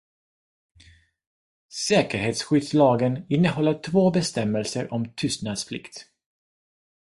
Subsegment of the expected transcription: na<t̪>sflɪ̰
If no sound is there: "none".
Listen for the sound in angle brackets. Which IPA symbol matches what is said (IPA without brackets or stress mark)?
d̪